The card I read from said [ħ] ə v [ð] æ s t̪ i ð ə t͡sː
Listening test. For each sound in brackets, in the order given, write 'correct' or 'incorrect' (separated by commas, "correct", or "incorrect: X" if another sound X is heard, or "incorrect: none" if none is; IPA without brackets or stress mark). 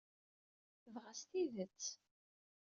incorrect: θ, incorrect: ʁ